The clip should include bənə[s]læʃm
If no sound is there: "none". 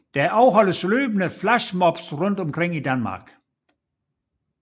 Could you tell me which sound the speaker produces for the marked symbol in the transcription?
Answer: f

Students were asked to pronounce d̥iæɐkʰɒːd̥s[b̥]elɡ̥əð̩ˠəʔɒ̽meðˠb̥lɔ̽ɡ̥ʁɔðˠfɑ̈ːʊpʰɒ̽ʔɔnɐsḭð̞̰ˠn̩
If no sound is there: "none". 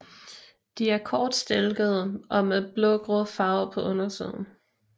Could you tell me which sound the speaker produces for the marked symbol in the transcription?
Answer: d̥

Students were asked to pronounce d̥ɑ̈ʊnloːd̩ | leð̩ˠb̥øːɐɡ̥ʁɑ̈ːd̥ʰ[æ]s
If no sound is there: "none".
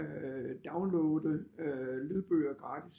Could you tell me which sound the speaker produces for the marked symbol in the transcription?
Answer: i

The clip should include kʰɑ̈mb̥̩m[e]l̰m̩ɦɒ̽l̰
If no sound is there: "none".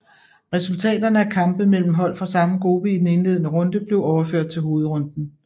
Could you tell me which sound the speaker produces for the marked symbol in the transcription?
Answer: e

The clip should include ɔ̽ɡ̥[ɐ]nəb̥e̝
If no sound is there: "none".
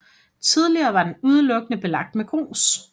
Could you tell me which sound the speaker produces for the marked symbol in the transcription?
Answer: ə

